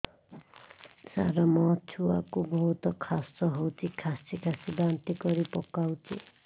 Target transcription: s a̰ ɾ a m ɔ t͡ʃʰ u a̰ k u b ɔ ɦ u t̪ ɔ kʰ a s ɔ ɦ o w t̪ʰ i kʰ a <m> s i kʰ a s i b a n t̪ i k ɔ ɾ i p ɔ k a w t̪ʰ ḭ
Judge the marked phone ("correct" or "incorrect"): incorrect